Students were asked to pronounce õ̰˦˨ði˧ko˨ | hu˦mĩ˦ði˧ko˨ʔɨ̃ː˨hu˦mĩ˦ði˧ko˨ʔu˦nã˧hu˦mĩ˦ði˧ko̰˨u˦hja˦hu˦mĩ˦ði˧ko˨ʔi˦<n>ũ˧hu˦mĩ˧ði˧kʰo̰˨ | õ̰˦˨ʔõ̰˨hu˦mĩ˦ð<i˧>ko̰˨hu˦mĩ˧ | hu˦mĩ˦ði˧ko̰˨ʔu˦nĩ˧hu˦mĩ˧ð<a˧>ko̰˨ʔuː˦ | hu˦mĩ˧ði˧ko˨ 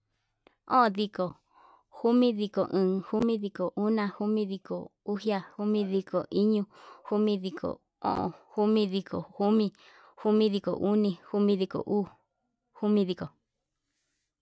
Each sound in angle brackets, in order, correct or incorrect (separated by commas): incorrect, correct, incorrect